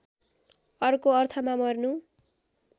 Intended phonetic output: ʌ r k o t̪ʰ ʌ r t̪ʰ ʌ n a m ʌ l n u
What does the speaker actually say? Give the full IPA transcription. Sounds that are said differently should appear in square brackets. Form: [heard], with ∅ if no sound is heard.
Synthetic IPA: ʌ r k o [∅] ʌ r t̪ʰ ʌ [m] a m ʌ [r] n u